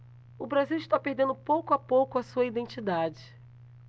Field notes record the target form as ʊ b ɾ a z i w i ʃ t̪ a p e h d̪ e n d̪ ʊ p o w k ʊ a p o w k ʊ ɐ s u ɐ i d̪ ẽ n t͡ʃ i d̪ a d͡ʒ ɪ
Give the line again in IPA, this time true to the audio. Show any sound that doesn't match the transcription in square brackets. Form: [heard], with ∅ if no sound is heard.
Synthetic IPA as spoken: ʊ b ɾ a z i w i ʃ t̪ a p e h d̪ [ẽ] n d̪ ʊ p o w k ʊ a p o w k ʊ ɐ s u ɐ i d̪ ẽ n t͡ʃ i d̪ a d͡ʒ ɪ